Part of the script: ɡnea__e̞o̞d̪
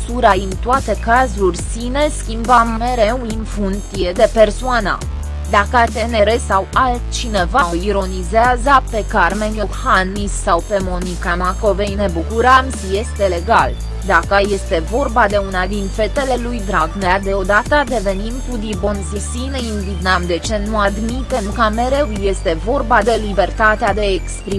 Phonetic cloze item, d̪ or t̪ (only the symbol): d̪